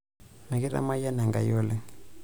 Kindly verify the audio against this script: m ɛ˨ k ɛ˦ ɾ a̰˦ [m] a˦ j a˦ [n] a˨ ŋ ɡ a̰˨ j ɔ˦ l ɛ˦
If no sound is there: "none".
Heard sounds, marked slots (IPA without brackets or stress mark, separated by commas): m, n